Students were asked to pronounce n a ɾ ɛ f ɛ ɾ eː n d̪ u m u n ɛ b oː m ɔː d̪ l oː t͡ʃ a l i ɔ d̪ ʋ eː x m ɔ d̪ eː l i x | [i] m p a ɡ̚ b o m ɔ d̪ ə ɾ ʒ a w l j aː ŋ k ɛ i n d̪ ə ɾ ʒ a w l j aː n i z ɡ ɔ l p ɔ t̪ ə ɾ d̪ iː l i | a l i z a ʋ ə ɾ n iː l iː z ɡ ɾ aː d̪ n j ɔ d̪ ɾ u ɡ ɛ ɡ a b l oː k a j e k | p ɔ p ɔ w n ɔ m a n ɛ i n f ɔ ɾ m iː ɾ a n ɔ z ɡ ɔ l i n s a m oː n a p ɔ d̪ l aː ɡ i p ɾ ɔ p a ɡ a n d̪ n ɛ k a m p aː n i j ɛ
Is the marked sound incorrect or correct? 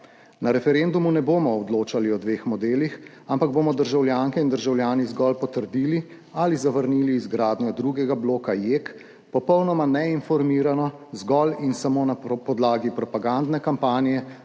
incorrect